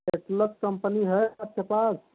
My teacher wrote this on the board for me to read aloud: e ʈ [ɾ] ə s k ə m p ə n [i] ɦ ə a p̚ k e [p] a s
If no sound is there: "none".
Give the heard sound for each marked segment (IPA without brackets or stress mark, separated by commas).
l, i, p